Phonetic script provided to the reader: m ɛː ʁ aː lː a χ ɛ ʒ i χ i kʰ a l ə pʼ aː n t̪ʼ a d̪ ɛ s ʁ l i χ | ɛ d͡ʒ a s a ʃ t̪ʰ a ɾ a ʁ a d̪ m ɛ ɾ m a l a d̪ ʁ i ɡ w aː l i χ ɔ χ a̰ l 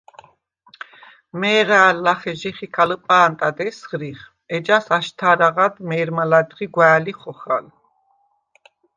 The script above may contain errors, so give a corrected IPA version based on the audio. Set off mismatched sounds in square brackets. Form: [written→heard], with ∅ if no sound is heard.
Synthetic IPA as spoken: m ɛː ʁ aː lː a χ ɛ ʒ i χ i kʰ a l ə pʼ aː n t̪ʼ a d̪ ɛ s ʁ [l→ɾ] i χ | ɛ d͡ʒ a s a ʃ t̪ʰ a ɾ a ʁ a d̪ m ɛ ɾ m a l a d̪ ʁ i ɡ w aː l i χ ɔ χ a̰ l